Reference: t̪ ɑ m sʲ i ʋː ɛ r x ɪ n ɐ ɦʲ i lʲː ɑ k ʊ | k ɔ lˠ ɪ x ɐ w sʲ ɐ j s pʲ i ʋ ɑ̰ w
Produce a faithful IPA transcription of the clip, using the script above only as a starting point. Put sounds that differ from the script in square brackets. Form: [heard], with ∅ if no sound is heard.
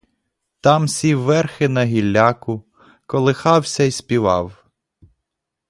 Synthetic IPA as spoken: t̪ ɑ m sʲ i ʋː ɛ r x ɪ n ɐ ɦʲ i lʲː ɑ k ʊ | k ɔ lˠ ɪ x [ɑ] w sʲ ɐ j s pʲ i ʋ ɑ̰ w